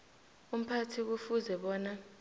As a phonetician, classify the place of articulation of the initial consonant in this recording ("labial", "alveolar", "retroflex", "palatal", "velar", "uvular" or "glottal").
labial